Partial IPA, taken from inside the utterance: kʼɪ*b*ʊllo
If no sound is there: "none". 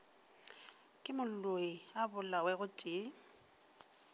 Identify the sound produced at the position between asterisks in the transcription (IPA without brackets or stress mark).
m